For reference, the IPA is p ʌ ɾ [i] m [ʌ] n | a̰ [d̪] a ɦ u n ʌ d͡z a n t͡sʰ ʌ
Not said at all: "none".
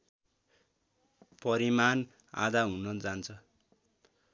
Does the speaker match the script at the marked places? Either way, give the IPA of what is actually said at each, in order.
i, a, d̪

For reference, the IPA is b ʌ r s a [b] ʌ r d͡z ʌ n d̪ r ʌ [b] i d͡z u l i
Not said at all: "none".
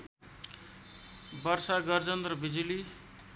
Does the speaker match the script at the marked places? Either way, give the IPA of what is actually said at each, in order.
ɡ, b

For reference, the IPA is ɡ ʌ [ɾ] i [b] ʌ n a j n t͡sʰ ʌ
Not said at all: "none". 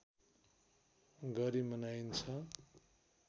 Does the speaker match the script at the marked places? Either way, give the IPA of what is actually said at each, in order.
ɾ, m

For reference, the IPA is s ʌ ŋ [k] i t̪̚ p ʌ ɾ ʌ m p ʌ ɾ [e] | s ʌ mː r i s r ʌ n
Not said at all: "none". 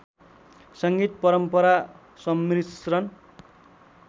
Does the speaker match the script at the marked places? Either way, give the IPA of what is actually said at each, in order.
ɡ, a

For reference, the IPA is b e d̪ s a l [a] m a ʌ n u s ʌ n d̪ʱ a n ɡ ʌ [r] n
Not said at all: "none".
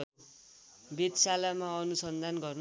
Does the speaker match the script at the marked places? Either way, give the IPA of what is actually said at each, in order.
a, r

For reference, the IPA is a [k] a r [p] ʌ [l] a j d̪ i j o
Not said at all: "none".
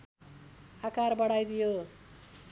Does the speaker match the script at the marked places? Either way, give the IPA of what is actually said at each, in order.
k, b, ɽ

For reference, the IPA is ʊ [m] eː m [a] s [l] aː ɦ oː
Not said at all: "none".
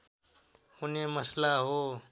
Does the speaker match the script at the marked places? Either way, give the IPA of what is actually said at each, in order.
n, ə, l

